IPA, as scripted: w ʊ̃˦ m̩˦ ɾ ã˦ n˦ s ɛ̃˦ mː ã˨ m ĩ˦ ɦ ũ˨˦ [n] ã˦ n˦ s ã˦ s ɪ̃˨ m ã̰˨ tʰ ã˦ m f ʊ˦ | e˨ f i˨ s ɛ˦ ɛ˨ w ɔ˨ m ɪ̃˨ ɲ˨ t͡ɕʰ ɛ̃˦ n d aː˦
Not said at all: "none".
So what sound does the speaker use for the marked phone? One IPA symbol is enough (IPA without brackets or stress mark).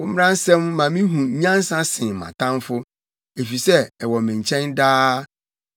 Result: ɲ